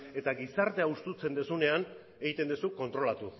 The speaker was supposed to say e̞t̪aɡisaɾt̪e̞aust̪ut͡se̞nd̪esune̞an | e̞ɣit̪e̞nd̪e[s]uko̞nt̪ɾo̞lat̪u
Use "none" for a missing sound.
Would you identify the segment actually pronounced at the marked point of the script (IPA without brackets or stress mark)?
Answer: s